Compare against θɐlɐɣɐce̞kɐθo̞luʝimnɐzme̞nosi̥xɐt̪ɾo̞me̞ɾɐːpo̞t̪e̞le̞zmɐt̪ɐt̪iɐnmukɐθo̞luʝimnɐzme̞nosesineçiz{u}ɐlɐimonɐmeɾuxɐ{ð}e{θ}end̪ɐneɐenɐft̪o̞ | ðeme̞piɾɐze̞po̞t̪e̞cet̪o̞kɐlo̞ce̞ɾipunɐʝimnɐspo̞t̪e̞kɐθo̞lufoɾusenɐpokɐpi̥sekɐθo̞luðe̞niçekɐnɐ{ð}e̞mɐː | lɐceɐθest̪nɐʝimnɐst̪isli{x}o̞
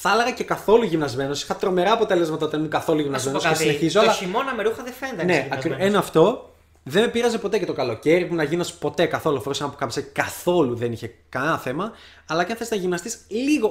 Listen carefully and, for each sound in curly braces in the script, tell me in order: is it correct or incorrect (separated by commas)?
incorrect, correct, incorrect, incorrect, incorrect